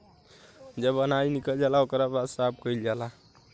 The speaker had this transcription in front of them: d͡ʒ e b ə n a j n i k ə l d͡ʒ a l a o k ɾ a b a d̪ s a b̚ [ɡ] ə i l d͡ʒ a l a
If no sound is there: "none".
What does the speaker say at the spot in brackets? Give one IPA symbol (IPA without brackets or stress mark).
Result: k